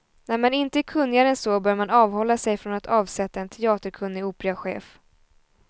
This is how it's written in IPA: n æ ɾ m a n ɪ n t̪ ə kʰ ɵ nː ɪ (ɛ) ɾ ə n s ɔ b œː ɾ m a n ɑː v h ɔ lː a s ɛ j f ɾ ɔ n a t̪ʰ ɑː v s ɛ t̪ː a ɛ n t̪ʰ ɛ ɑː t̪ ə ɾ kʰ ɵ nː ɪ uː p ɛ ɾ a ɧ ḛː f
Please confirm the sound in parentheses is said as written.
no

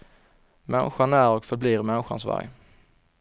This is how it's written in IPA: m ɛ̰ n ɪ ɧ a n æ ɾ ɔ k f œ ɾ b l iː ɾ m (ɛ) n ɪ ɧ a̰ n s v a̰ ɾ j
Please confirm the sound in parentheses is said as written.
yes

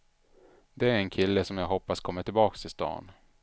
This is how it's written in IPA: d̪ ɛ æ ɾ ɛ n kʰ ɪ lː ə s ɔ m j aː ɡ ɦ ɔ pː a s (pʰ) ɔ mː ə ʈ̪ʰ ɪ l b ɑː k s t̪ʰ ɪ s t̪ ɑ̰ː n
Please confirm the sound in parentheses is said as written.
no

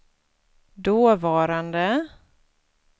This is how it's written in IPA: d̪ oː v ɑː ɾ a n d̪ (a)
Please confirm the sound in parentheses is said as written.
no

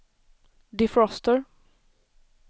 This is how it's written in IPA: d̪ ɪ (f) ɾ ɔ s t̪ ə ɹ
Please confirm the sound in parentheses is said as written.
yes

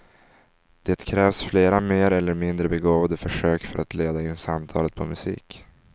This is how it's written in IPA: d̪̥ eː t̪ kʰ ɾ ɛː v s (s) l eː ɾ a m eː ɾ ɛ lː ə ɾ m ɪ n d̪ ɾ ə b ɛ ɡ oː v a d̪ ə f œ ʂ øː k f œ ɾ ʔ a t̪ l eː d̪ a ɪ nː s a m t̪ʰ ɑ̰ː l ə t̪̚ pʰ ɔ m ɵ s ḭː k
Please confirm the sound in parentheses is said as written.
no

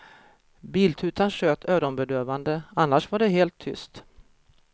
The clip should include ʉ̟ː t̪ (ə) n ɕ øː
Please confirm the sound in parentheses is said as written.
no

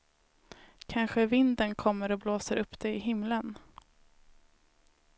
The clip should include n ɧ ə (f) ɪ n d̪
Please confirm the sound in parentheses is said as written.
no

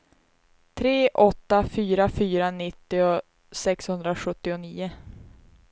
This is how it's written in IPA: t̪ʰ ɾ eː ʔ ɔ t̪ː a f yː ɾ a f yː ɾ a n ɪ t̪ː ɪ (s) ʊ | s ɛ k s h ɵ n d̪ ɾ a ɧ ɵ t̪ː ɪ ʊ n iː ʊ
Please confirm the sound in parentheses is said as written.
no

